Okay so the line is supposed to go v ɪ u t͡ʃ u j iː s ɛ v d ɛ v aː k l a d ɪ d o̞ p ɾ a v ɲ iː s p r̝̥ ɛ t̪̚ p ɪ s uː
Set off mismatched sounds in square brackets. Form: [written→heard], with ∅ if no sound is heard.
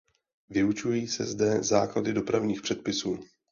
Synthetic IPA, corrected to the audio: v ɪ u t͡ʃ u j iː s ɛ [v→z] d ɛ [v→z] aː k l a d ɪ d o̞ p ɾ a v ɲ iː [s→x] p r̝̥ ɛ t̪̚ p ɪ s uː